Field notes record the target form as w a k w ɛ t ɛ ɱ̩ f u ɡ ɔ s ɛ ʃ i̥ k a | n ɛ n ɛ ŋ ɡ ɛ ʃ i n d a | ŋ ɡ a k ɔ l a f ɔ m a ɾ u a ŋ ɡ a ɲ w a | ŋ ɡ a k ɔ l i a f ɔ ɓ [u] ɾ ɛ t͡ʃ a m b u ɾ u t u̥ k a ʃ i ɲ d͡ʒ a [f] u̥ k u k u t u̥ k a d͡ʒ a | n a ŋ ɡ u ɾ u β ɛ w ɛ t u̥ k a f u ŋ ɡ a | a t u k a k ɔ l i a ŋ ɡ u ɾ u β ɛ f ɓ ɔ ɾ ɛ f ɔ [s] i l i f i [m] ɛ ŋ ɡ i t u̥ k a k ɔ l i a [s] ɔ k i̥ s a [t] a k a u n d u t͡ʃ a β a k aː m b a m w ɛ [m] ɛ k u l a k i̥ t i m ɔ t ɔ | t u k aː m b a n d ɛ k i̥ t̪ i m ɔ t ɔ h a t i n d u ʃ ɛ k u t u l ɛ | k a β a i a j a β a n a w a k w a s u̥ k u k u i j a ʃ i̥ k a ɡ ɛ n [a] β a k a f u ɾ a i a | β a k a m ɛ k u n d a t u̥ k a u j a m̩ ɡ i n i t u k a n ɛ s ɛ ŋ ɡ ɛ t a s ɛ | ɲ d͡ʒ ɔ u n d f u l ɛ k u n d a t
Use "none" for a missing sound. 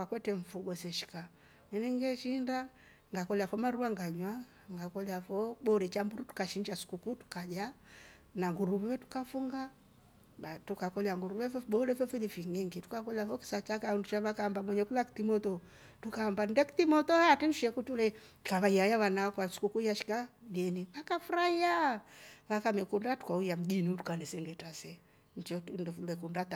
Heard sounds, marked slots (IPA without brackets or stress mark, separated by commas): ɔ, s, f, ŋ, f, t͡ʃ, ɲ, i